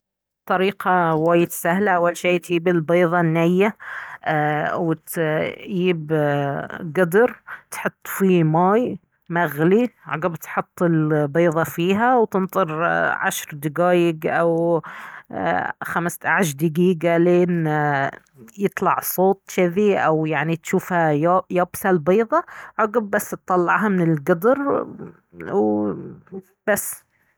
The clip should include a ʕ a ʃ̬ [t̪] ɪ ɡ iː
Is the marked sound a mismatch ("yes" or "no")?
yes